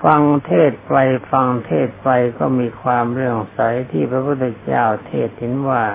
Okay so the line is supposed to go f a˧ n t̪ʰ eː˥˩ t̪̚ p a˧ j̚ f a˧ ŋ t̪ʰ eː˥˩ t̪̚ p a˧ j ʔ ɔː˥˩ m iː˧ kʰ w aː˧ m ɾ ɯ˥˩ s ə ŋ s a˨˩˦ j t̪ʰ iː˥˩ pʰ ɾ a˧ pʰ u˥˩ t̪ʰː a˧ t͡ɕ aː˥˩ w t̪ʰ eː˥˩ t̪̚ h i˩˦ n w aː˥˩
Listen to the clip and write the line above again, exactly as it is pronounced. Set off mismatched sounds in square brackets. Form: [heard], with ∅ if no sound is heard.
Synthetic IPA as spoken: f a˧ [ŋ] t̪ʰ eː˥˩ t̪̚ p a˧ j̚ f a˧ ŋ t̪ʰ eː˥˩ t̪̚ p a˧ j [k] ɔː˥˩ m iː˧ kʰ w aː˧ m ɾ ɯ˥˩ [∅] ə ŋ s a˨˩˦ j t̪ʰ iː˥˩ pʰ ɾ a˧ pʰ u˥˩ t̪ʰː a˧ t͡ɕ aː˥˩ w t̪ʰ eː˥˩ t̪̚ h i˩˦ n w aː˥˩